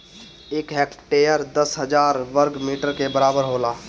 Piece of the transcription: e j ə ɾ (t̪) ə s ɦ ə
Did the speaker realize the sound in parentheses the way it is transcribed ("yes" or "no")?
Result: no